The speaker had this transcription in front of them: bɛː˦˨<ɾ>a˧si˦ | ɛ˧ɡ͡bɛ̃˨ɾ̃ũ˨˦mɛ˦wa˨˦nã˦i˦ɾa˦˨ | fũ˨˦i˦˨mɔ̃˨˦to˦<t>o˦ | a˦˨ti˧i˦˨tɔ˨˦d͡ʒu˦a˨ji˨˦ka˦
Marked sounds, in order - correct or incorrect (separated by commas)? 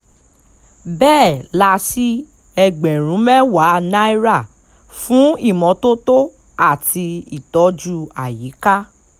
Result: incorrect, correct